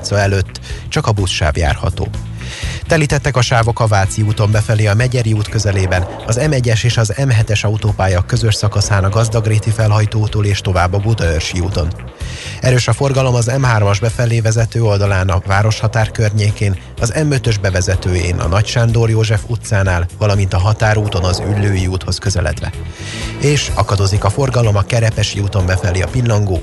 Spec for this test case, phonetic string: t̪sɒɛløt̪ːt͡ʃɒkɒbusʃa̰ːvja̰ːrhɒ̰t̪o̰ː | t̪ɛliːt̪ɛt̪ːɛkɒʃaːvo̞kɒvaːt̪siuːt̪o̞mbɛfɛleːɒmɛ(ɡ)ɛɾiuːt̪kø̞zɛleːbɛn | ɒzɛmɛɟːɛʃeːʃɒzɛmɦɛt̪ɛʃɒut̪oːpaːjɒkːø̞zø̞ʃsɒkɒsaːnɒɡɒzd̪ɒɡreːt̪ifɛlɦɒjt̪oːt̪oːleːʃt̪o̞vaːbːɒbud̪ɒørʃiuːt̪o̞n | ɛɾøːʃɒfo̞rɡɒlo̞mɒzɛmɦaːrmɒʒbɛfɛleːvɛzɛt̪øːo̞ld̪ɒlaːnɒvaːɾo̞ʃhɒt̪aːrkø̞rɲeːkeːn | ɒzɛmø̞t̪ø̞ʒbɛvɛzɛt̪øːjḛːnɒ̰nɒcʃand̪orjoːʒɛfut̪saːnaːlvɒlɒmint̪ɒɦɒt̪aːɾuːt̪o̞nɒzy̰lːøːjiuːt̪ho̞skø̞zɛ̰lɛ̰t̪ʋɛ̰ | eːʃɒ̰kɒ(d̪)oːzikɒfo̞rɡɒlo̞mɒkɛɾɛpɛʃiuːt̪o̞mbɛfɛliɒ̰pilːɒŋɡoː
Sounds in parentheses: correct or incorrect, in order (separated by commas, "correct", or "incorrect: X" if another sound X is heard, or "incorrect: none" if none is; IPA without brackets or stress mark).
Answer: incorrect: ɟ, correct